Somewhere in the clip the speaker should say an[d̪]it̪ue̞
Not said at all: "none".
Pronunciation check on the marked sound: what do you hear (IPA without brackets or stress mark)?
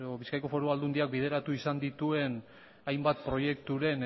d̪